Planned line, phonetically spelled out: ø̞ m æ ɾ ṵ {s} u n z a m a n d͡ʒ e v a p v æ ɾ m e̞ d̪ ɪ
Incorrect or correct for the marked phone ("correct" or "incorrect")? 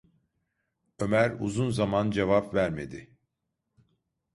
incorrect